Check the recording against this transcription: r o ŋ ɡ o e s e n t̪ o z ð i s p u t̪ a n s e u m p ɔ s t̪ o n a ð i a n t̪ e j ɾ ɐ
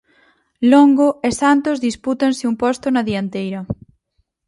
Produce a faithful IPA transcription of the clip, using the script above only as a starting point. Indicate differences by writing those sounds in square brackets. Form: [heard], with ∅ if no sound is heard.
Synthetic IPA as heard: [l] o ŋ ɡ o e s [a] n t̪ o z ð i s p u t̪ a n s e u m p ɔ s t̪ o n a ð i a n t̪ e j ɾ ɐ